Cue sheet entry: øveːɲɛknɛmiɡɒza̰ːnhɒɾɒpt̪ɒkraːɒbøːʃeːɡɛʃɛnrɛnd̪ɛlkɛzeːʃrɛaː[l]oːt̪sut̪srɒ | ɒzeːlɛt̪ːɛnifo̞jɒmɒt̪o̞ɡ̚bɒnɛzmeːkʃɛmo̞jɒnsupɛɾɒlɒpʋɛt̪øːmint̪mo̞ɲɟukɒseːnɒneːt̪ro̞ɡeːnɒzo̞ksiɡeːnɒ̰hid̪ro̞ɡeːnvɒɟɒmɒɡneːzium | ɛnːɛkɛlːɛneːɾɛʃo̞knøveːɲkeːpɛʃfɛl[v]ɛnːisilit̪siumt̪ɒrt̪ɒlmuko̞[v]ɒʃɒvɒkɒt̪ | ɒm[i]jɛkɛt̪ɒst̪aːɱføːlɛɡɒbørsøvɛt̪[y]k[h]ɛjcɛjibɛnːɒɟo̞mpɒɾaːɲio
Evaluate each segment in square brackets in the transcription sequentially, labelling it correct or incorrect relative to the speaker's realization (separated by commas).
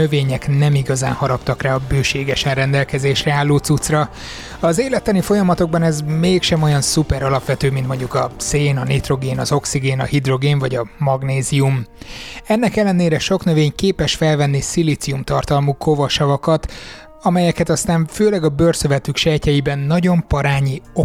incorrect, correct, correct, incorrect, correct, incorrect